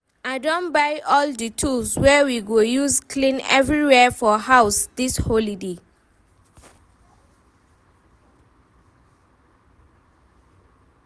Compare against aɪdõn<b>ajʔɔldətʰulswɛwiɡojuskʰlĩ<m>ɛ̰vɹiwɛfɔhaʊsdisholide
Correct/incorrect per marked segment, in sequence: correct, incorrect

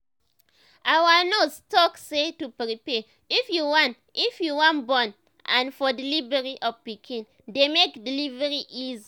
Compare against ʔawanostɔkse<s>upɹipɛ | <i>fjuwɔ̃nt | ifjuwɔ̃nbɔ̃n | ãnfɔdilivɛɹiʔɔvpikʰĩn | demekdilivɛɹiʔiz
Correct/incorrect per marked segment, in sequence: incorrect, correct

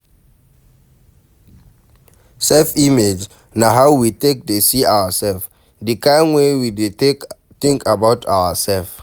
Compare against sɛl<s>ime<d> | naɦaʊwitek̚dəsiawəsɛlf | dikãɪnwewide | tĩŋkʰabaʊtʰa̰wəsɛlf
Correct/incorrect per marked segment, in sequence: incorrect, incorrect

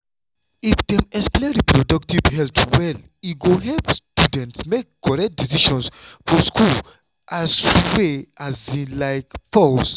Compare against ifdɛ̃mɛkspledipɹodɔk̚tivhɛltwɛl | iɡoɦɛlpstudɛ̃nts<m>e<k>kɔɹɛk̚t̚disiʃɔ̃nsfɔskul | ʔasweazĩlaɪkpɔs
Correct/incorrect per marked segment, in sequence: correct, correct

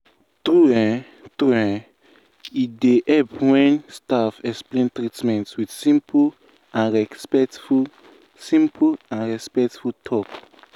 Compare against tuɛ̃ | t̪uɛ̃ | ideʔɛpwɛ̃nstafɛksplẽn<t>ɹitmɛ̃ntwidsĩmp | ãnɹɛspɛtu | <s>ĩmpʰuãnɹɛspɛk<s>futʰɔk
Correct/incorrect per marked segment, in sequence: correct, correct, incorrect

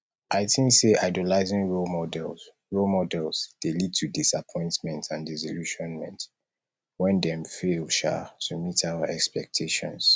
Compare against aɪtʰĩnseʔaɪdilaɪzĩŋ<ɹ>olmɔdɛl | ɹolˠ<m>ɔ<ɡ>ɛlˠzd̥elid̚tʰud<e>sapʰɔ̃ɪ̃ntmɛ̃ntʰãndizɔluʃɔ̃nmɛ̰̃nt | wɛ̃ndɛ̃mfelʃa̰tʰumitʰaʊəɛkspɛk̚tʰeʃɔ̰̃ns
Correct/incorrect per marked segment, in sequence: correct, correct, incorrect, incorrect

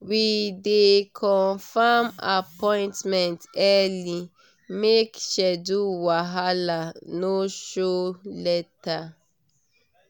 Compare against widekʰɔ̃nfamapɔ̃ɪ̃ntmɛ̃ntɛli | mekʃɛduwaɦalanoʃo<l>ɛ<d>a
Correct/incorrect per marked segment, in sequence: correct, incorrect

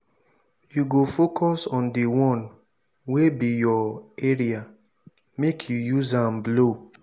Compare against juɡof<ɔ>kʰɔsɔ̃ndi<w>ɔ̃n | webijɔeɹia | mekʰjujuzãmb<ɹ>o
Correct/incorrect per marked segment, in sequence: incorrect, correct, incorrect

